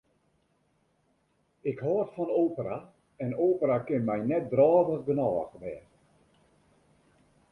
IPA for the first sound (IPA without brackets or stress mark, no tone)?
ɪ